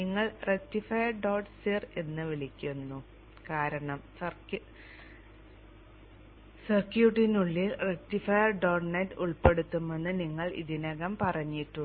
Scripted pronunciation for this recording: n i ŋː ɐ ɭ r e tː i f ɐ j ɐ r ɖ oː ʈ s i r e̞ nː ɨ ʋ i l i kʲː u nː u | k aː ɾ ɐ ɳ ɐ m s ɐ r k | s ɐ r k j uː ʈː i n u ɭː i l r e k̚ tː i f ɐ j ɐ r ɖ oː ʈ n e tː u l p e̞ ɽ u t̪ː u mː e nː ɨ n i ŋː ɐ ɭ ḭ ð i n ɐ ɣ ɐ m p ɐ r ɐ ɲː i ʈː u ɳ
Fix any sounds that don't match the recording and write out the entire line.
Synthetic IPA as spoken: n i ŋː ɐ ɭ r e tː i f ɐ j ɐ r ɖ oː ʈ s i r e̞ nː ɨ ʋ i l i kʲː u nː u | k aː ɾ ɐ ɳ ɐ m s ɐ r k | s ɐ r k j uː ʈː i n u ɭː i l r e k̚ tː i f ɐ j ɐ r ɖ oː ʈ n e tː u ɭ p e̞ ɽ u t̪ː u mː e nː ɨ n i ŋː ɐ ɭ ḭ ð i n ɐ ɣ ɐ m p ɐ r ɐ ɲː i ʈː u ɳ

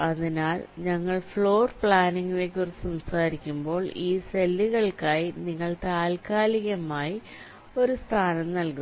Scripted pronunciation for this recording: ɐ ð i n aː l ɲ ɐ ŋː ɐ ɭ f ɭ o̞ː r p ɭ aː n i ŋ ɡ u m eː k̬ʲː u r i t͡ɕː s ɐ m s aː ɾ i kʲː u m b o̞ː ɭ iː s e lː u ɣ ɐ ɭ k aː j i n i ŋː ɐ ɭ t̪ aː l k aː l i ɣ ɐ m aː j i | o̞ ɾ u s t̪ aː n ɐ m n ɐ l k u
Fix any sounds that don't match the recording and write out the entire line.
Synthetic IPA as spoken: ɐ ð i n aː l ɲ ɐ ŋː ɐ ɭ f ɭ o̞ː r p ɭ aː n i ŋ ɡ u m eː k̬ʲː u r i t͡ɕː s ɐ m s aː ɾ i kʲː u m b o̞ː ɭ iː s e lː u ɣ ɐ ɭ k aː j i n i ŋː ɐ ɭ t̪ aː l k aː l i ɣ ɐ m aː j i | o̞ ɾ u s t̪ʰ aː n ɐ m n ɐ l k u

